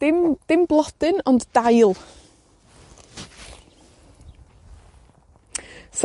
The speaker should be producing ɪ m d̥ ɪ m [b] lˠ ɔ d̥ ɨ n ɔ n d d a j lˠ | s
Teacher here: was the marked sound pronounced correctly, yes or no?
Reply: yes